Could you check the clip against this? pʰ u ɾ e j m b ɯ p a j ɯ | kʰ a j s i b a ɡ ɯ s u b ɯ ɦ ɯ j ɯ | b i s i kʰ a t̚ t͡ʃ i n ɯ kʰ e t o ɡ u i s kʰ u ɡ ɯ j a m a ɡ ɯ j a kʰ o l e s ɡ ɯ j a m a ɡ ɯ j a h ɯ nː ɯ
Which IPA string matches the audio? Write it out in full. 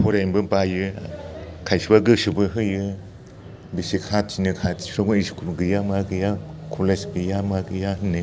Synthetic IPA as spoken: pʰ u ɾ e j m b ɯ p a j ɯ | kʰ a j s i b a ɡ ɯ s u b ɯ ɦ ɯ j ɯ | b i s i kʰ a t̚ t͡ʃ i n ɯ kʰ a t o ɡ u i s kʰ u ɡ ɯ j a m a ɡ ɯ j a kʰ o l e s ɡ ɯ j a m a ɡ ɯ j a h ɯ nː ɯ